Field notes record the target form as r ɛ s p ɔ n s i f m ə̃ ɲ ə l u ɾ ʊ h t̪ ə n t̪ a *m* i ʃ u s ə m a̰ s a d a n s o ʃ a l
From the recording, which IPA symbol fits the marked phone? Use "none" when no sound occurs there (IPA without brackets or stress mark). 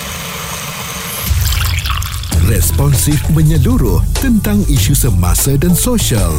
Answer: ŋ